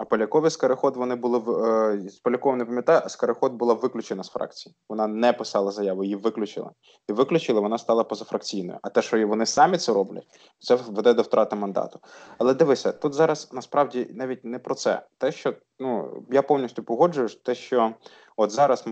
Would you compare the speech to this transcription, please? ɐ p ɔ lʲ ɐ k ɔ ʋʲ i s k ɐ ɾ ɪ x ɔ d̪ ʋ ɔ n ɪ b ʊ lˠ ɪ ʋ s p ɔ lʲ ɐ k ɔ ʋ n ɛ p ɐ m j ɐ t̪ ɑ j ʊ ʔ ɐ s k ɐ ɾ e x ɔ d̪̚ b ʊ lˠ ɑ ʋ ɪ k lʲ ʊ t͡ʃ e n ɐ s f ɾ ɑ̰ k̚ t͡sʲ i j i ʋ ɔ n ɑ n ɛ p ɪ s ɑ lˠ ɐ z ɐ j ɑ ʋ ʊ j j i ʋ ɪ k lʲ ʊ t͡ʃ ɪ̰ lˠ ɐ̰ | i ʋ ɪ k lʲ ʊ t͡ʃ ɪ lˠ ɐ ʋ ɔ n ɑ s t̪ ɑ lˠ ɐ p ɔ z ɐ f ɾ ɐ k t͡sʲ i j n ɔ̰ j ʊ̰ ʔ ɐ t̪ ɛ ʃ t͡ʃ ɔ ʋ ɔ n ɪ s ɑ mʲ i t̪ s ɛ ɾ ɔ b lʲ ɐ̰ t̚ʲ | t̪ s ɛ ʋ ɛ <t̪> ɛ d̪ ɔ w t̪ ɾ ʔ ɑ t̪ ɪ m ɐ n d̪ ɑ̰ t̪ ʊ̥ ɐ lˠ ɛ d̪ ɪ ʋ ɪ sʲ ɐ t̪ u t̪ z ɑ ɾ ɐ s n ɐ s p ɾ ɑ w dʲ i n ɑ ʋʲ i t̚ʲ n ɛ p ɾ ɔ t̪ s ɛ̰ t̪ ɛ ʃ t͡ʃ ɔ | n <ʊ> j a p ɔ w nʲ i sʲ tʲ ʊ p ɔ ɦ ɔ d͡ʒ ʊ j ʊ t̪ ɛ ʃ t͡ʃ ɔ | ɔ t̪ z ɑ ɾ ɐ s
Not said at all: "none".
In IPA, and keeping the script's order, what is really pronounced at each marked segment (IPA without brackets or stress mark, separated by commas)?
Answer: d̪, u